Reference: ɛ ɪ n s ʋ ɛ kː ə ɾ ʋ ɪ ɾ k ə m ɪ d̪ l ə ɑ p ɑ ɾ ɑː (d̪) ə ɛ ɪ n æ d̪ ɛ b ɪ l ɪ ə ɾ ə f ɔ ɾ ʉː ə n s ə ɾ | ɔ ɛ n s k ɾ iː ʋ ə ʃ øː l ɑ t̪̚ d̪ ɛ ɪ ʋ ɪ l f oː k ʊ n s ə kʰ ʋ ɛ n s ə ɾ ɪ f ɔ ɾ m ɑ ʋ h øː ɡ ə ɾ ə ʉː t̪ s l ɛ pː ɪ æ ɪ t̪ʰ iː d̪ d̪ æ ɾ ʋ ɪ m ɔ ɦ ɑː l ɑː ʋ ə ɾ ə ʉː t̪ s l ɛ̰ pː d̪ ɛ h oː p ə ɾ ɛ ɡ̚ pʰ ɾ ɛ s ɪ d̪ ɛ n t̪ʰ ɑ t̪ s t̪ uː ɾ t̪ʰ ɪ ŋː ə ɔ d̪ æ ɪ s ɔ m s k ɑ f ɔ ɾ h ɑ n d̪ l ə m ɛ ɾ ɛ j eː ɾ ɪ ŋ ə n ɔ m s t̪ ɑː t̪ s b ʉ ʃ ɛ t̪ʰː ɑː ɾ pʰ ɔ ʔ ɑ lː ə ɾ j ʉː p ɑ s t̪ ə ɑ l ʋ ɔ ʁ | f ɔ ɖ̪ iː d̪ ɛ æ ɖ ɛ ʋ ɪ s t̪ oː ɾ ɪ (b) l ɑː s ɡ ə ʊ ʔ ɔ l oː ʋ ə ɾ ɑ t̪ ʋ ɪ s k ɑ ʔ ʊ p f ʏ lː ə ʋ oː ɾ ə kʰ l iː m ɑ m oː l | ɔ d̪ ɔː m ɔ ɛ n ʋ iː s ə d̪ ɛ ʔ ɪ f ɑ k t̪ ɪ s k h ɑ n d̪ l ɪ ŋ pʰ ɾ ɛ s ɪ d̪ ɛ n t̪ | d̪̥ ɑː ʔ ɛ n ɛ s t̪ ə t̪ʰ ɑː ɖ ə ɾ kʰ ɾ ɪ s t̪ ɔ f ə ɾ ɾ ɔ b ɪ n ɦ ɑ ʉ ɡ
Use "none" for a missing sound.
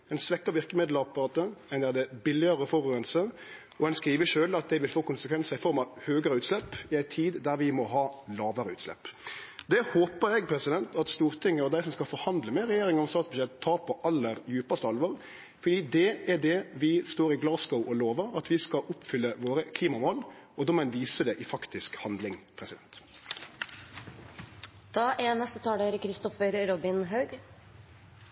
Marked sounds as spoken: t̪, ɡ

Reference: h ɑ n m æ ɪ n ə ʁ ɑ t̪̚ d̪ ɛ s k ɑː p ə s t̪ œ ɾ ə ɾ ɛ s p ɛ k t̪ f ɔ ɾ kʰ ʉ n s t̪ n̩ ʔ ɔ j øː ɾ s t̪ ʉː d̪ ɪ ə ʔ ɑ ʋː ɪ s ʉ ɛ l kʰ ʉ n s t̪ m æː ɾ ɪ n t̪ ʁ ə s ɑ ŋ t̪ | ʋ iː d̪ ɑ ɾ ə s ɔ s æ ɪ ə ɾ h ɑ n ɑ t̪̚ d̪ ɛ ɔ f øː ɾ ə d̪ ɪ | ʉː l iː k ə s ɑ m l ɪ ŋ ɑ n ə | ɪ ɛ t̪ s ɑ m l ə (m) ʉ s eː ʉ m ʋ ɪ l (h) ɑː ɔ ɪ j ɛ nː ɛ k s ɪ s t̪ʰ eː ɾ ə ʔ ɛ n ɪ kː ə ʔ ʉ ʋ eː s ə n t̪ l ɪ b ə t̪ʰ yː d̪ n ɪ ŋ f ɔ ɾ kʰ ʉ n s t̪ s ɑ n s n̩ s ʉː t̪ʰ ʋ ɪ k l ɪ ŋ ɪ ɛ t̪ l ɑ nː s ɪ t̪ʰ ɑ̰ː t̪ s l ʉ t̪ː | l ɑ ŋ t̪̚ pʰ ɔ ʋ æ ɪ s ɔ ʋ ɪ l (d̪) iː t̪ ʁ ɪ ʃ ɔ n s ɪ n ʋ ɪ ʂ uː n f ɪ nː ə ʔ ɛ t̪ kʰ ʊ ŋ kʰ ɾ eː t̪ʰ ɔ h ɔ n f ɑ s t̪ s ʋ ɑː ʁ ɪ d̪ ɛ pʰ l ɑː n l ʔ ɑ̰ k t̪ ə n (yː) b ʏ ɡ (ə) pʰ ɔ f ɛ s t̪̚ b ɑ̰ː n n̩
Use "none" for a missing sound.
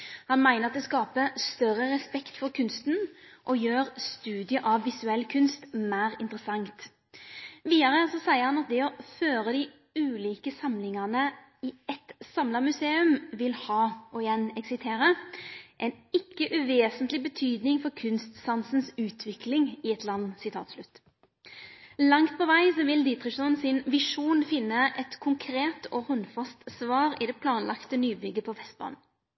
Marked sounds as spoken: m, h, d̪, yː, ə

